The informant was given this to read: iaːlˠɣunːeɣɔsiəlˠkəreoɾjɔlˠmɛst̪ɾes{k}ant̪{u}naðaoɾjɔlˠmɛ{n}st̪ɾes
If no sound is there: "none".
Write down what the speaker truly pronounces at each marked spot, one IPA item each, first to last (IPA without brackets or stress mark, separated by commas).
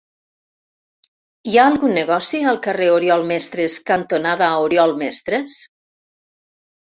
k, o, none